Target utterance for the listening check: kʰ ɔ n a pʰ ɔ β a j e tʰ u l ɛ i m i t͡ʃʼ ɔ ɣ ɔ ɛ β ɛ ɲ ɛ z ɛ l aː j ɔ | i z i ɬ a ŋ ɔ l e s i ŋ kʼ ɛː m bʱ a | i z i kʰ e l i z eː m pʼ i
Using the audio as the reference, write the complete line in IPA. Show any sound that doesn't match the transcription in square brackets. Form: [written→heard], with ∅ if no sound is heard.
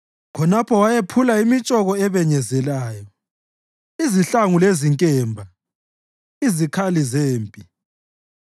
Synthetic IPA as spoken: kʰ ɔ n a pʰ ɔ [β→w] a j e [tʰ→pʰ] u l [ɛ→a] i m i t͡ʃʼ ɔ ɣ ɔ ɛ β ɛ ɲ ɛ z ɛ l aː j ɔ | i z i ɬ a ŋ [ɔ→u] l e [s→z] i ŋ kʼ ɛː m bʱ a | i z i kʰ [e→a] l i z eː m pʼ i